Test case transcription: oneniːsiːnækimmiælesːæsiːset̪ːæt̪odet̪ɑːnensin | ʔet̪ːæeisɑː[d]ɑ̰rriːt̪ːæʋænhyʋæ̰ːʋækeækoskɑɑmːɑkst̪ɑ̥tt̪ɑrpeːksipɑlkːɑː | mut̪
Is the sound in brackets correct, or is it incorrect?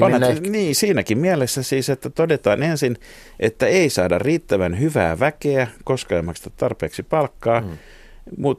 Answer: correct